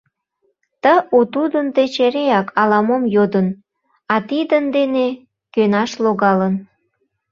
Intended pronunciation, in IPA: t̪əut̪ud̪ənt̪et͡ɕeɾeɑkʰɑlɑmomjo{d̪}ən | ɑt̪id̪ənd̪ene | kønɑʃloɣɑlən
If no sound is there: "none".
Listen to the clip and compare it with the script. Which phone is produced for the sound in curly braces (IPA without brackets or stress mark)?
d̪